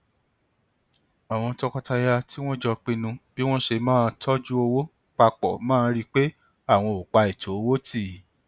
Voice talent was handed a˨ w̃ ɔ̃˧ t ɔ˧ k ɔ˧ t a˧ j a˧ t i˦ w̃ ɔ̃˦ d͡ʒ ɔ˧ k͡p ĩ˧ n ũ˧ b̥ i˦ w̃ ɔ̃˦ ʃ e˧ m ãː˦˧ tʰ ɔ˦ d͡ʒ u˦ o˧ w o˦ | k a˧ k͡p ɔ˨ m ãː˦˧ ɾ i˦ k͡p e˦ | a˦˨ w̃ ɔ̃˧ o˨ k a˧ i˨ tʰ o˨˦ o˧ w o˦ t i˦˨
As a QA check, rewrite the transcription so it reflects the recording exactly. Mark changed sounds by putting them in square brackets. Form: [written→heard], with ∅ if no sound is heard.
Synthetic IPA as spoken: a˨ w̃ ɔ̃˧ t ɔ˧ k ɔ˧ t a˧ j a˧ t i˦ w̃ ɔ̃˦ d͡ʒ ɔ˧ k͡p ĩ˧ n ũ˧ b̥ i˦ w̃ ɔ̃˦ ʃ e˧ m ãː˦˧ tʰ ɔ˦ d͡ʒ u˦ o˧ w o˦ | [k→k͡p] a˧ k͡p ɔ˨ m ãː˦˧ ɾ i˦ k͡p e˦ | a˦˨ w̃ ɔ̃˧ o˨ [k→k͡p] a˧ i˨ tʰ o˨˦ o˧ w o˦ t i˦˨